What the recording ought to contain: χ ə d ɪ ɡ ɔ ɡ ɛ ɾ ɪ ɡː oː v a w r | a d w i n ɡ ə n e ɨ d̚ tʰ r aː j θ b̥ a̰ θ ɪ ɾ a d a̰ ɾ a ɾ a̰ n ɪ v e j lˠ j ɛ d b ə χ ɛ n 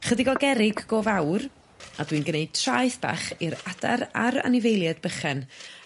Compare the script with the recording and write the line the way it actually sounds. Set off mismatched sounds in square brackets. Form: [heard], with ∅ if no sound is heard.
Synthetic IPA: χ ə d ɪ ɡ ɔ ɡ ɛ ɾ ɪ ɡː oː v a w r | a d w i n ɡ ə n e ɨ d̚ tʰ r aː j θ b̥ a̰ [χ] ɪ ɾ a d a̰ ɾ a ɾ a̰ n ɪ v e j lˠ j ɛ d b ə χ ɛ n